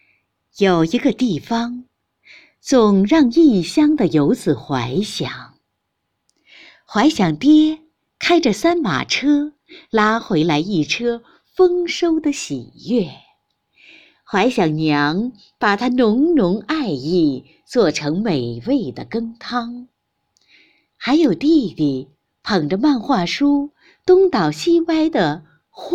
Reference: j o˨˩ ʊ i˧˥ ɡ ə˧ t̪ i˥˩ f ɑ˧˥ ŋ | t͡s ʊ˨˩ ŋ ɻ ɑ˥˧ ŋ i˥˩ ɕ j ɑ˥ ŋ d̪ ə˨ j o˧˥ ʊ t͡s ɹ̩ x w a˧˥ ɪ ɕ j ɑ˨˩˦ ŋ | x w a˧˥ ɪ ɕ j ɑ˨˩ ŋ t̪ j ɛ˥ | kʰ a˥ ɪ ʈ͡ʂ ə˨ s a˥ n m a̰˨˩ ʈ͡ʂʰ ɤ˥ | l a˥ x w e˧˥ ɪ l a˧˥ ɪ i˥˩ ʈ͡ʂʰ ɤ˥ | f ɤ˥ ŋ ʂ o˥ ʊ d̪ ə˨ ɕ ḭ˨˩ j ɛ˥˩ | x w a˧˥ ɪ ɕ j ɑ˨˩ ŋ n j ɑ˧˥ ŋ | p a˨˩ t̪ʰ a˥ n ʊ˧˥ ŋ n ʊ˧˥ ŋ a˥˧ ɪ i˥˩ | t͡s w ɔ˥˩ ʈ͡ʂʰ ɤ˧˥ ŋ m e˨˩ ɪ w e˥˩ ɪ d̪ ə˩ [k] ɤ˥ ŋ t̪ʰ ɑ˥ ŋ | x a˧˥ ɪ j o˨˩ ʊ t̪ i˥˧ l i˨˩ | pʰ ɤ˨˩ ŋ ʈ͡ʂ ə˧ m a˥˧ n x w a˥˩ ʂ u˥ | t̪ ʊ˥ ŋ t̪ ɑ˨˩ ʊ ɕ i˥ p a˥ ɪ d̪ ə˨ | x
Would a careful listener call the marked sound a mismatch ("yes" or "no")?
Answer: no